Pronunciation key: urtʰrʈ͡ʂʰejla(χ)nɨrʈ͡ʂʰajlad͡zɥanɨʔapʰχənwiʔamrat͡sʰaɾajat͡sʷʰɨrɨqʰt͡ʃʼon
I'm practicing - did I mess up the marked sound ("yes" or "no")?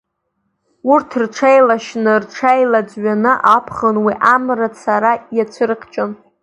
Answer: yes